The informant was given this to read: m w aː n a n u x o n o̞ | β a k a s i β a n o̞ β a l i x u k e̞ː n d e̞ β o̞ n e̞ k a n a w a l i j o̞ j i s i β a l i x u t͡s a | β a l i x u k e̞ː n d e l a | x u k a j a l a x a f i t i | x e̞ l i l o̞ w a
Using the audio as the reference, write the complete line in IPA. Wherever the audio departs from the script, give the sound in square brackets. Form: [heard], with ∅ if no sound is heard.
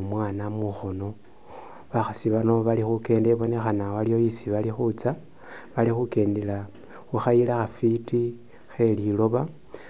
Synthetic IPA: m w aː n a [m] u x o n o̞ | β a [x] a s i β a n o̞ β a l i x u k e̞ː n d e̞ β o̞ n e̞ [x] a n a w a l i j o̞ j i s i β a l i x u t͡s a | β a l i x u k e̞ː n d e l a | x u [x] a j [i] l a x a f i t i | x e̞ l i l o̞ [β] a